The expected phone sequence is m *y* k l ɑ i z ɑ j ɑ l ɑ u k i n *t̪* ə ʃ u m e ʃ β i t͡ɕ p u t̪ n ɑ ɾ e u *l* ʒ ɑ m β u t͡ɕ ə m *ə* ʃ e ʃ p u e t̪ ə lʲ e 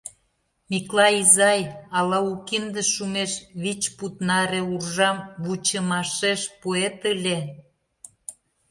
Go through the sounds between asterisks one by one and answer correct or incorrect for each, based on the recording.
incorrect: i, incorrect: d̪, incorrect: r, incorrect: ɑ

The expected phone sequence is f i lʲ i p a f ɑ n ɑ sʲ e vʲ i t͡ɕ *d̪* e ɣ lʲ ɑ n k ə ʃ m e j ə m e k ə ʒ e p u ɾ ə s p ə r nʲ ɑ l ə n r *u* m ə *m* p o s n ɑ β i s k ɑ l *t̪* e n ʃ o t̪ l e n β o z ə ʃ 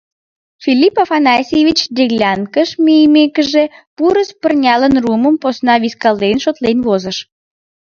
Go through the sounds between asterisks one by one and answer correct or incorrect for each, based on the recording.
correct, correct, correct, incorrect: d̪

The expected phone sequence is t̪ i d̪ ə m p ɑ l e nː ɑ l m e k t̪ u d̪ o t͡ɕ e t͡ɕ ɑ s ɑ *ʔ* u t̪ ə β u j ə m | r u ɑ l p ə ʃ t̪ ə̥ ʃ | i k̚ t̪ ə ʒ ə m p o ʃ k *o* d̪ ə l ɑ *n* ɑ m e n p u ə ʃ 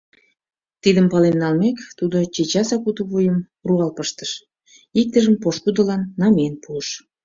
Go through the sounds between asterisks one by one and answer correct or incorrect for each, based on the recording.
incorrect: k, incorrect: u, incorrect: nː

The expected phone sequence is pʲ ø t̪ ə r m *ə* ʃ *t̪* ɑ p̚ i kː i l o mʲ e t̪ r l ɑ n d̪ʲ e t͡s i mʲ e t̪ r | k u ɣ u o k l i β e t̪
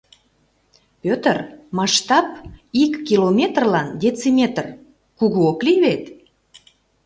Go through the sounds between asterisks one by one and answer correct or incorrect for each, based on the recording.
incorrect: ɑ, correct

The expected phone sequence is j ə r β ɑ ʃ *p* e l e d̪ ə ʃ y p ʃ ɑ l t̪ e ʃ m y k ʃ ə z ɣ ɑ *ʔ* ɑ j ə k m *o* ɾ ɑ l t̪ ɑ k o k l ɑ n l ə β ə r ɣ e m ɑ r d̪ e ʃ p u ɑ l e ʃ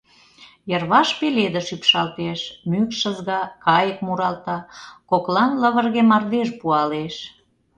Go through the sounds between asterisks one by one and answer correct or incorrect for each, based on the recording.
correct, incorrect: k, incorrect: u

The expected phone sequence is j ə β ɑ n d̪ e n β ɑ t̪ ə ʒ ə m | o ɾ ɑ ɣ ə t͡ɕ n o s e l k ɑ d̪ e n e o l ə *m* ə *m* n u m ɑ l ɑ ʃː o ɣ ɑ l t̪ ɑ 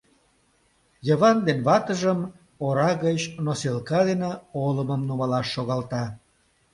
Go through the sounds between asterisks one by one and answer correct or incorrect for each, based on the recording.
correct, correct

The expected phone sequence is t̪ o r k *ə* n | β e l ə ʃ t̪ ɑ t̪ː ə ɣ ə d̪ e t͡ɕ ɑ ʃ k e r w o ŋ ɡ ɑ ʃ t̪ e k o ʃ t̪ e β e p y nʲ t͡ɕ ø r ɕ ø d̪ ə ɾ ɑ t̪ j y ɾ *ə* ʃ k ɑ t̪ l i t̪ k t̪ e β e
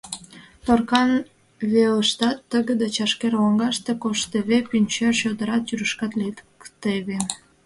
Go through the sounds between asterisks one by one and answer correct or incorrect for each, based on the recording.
incorrect: ɑ, correct

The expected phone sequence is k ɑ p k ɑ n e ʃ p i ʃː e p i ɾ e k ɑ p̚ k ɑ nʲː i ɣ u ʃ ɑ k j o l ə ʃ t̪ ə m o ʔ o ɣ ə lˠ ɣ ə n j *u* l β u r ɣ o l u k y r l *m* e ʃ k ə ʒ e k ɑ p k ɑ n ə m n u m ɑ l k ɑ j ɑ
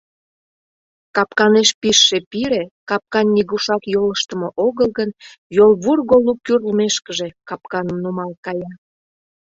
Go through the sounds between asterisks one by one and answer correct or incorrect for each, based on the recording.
incorrect: o, correct

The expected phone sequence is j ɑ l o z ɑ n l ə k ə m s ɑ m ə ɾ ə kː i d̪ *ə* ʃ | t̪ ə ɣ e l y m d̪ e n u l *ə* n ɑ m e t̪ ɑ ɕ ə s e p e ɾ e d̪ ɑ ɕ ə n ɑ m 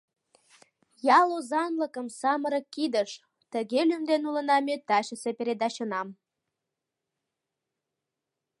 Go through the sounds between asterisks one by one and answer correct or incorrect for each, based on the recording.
correct, correct

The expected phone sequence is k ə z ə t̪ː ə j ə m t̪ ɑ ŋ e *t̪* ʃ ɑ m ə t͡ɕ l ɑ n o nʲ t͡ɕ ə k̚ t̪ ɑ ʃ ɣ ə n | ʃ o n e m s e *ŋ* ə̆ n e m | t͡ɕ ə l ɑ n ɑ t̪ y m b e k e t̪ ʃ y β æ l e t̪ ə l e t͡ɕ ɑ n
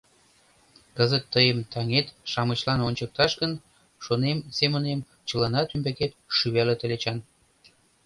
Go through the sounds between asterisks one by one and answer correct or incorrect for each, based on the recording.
correct, incorrect: m

